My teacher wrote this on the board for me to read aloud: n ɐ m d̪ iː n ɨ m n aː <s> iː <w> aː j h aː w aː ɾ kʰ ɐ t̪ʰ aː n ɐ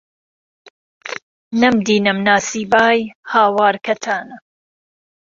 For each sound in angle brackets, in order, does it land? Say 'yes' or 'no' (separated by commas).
yes, no